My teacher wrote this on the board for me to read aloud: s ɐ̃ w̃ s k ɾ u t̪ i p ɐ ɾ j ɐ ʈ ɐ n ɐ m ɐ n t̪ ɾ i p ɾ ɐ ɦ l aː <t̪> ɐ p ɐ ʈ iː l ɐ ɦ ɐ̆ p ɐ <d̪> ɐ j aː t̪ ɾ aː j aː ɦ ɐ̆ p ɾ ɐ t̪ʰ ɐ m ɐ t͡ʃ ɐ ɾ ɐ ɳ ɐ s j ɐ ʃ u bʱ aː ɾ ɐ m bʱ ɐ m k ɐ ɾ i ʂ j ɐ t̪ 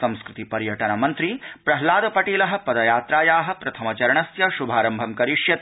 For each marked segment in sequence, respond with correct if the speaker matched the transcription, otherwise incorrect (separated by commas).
incorrect, correct